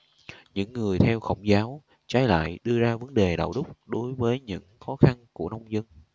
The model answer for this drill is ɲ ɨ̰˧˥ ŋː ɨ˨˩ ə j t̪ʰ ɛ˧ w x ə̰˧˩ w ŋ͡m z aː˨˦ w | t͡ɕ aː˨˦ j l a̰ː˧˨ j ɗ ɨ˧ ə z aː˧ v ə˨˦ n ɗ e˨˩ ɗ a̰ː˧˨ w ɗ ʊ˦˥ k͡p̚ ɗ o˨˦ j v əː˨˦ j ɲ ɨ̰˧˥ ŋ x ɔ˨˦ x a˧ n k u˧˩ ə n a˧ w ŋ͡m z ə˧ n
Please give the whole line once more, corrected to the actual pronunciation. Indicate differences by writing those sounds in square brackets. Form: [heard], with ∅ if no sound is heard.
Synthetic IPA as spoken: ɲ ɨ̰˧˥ ŋː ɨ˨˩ ə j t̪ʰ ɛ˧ w x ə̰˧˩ w ŋ͡m z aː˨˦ w | t͡ɕ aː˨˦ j l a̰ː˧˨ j ɗ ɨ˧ ə z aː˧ v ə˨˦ n ɗ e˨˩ ɗ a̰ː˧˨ w ɗ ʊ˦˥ k͡p̚ ɗ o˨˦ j v əː˨˦ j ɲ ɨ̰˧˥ ŋ x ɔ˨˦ x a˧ n k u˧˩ ə n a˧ w ŋ͡m z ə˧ n